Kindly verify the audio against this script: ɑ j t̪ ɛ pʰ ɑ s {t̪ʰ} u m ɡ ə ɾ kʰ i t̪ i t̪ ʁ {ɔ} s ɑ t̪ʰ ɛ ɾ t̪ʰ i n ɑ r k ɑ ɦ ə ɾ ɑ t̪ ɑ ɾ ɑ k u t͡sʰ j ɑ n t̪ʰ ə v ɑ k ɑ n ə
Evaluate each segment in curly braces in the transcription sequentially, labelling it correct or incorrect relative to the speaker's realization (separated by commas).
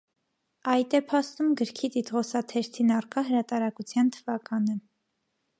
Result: incorrect, correct